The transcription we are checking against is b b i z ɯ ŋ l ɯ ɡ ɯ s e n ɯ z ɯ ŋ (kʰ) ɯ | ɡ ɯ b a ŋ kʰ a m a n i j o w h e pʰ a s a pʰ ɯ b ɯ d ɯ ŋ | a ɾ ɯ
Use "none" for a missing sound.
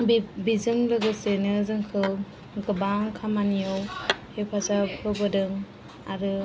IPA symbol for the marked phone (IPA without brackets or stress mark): kʰ